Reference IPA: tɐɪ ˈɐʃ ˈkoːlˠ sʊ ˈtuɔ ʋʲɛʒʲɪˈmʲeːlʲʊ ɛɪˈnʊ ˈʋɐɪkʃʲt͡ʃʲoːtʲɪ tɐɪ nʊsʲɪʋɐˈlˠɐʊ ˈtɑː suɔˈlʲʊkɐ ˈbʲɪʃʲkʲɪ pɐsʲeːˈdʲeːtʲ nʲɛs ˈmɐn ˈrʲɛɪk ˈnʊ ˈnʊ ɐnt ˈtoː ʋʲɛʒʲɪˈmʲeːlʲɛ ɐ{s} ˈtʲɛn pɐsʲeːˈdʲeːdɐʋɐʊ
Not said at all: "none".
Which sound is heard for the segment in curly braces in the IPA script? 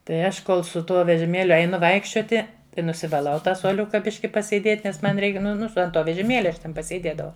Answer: ʃ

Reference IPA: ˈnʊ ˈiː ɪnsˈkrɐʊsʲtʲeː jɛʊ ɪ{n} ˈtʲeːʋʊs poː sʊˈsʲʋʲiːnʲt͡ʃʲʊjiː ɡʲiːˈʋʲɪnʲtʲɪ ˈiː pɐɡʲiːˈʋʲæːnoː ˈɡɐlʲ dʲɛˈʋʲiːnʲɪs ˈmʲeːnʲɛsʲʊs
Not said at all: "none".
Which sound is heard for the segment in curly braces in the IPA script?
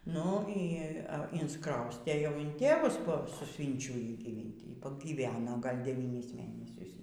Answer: n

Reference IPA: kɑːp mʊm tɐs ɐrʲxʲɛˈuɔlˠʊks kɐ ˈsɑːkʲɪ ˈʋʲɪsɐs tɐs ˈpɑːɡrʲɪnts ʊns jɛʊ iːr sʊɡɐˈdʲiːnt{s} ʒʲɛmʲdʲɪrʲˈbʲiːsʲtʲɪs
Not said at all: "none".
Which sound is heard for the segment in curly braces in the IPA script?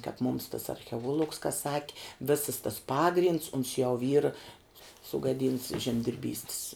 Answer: s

